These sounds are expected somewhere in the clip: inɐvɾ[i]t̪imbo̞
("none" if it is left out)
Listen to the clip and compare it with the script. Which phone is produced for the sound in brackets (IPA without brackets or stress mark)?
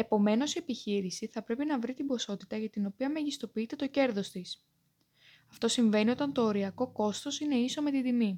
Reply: i